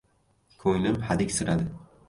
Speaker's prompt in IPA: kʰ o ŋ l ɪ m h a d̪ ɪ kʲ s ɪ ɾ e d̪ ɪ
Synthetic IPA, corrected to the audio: kʰ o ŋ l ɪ m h a d̪ ɪ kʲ s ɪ ɾ a d̪ ɪ